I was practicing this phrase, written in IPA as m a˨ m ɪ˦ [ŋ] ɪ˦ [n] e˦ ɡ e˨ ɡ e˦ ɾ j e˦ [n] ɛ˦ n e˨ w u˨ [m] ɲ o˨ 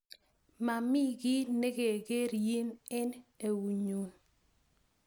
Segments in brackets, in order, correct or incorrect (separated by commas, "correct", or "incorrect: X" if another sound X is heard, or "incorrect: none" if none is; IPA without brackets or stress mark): incorrect: ɡ, correct, correct, incorrect: none